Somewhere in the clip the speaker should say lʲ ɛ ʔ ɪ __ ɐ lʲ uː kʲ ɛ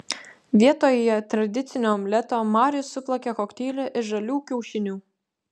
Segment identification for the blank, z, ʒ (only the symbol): ʒ